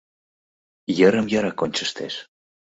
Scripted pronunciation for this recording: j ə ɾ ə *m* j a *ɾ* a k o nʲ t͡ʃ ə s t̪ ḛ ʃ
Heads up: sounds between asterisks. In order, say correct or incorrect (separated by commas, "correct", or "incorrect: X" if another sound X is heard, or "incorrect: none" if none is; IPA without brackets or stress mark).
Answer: correct, correct